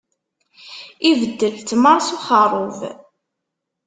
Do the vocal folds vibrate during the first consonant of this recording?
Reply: yes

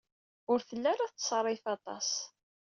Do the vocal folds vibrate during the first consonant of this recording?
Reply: yes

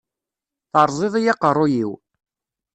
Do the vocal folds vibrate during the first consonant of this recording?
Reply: no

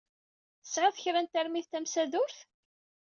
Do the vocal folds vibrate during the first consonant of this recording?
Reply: no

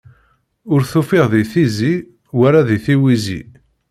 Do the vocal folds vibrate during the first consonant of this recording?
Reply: yes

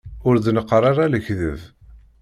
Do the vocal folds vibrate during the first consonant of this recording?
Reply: yes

